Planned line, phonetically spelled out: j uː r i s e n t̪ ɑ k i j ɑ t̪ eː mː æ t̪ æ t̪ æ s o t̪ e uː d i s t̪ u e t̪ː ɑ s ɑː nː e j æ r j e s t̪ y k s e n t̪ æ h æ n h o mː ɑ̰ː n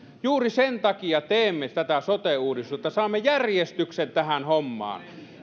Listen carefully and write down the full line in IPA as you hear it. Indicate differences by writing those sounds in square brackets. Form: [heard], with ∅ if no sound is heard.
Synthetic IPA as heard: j uː r i s e n t̪ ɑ k i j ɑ t̪ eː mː [e] t̪ æ t̪ æ s o t̪ e uː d i s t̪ u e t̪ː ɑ s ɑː [mː] e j æ r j e s t̪ y k s e n t̪ æ h æ n h o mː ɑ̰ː n